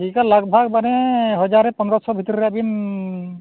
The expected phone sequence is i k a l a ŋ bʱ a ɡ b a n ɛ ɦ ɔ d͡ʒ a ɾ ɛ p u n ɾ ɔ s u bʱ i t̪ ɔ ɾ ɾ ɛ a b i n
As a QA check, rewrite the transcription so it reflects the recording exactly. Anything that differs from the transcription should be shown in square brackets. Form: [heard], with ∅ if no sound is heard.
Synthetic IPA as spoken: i k a l a [ɡ] bʱ a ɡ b a n ɛ ɦ ɔ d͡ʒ a ɾ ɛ p [ɔ] n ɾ ɔ s [ɔ] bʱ i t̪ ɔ ɾ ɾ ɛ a b i n